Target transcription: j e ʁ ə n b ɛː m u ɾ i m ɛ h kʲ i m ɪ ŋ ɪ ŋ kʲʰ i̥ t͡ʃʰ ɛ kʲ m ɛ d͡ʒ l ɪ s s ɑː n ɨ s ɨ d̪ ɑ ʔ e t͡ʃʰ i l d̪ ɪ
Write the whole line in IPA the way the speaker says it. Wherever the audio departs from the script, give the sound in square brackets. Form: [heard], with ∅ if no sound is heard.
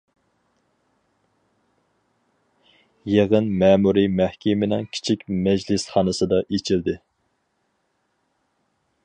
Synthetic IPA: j e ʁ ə n [m] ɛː m u ɾ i m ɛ h kʲ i m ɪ [n] ɪ ŋ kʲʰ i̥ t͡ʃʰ [i] kʲ m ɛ d͡ʒ l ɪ s [χ] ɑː n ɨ s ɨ d̪ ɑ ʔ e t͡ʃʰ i l d̪ ɪ